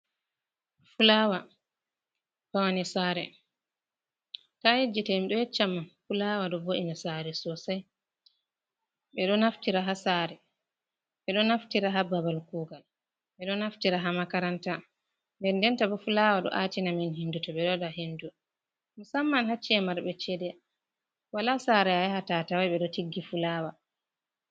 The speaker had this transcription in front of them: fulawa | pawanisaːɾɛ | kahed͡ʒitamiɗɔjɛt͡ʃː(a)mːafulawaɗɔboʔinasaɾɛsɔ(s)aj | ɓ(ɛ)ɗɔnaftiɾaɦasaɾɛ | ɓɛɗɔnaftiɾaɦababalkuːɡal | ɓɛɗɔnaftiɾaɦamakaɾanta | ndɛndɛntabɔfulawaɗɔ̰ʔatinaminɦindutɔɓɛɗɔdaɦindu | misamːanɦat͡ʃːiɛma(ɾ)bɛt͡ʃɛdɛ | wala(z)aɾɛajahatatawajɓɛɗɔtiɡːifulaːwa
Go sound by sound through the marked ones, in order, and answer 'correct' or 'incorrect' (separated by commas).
correct, correct, correct, correct, incorrect